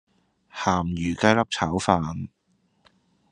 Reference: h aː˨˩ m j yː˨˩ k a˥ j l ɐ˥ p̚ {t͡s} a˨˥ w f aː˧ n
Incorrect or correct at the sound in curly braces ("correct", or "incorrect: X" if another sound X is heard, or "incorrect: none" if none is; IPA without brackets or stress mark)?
incorrect: t͡sʰ